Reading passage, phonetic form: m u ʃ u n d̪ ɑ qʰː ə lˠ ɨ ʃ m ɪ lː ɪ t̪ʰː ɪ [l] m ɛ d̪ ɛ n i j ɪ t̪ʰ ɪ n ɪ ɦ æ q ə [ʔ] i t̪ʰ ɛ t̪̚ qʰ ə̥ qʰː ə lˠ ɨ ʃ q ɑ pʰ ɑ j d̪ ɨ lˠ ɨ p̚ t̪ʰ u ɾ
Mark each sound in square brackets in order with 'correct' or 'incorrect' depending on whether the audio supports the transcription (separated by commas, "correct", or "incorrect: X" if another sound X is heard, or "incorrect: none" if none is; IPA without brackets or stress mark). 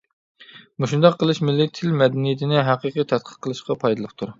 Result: correct, incorrect: q